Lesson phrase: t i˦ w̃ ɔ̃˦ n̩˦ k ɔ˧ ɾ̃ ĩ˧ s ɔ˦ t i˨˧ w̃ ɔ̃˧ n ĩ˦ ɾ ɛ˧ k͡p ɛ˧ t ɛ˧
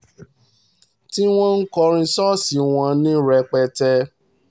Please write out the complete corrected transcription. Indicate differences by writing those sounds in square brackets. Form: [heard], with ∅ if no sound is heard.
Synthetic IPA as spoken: t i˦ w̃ ɔ̃˦ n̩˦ k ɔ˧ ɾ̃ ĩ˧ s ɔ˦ [s] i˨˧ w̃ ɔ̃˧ n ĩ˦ ɾ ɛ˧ k͡p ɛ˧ t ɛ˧